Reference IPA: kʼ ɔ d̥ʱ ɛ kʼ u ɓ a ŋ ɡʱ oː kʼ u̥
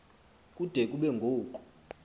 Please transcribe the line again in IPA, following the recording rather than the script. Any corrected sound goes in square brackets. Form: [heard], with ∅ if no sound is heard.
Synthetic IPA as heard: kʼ [u] d̥ʱ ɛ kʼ u ɓ [ɛ] ŋ ɡʱ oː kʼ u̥